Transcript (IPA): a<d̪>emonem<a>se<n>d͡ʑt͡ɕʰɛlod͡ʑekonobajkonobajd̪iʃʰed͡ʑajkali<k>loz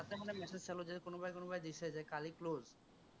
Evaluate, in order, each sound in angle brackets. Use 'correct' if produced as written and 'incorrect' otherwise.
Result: incorrect: t̪, incorrect: ɛ, incorrect: none, correct

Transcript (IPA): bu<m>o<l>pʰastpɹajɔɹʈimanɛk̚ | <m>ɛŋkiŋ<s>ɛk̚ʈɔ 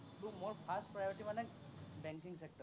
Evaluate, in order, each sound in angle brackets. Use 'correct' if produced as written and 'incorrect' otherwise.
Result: correct, incorrect: ɹ, incorrect: b, correct

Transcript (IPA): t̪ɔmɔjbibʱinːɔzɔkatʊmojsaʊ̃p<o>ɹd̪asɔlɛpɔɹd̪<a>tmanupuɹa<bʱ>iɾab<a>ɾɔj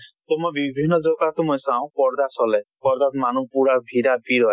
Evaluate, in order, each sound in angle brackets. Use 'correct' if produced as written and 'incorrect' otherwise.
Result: incorrect: ɔ, correct, correct, incorrect: i

